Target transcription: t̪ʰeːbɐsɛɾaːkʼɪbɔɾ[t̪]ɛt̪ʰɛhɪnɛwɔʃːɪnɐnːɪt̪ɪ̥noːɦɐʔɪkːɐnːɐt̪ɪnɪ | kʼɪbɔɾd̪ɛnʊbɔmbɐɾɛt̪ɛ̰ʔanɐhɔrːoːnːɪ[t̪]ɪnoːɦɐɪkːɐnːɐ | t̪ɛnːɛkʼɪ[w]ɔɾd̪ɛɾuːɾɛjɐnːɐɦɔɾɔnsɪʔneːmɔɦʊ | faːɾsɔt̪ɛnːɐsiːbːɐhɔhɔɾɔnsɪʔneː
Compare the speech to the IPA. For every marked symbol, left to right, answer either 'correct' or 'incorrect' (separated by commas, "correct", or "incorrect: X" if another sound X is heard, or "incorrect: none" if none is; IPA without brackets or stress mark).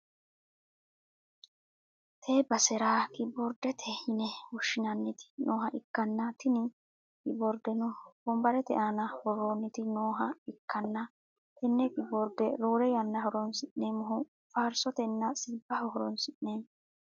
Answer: incorrect: d̪, correct, incorrect: b